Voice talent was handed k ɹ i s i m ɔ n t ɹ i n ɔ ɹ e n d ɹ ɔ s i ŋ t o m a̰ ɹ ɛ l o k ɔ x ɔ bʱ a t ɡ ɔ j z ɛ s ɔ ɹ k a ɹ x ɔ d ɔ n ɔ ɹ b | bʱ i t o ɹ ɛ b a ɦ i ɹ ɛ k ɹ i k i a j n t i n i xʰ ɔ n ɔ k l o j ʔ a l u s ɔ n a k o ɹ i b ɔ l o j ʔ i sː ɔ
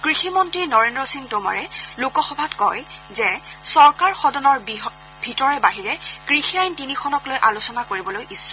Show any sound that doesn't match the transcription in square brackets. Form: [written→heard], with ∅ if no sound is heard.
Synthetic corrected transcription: k ɹ i [s→x] i m ɔ n t ɹ i n ɔ ɹ e n d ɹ ɔ s i ŋ t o m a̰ ɹ ɛ l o k ɔ x ɔ bʱ a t [ɡ→k] ɔ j z ɛ s ɔ ɹ k a ɹ x ɔ d ɔ n ɔ ɹ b | bʱ i t [o→ɔ] ɹ ɛ b a ɦ i ɹ ɛ k ɹ i [k→x] i a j n t i n i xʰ ɔ n ɔ k l o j ʔ a l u s ɔ n a k o ɹ i b ɔ l o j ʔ i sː ɔ